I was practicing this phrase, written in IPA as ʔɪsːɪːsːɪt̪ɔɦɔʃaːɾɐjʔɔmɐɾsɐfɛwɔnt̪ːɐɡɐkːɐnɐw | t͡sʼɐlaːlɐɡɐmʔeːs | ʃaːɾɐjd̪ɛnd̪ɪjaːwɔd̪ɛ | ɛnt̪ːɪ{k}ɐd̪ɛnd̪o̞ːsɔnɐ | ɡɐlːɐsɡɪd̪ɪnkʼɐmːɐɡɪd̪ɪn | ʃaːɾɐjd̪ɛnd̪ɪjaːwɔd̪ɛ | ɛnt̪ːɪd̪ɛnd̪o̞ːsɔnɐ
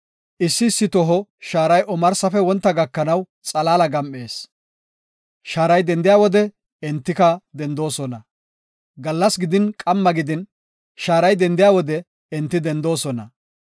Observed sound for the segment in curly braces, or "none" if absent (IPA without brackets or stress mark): k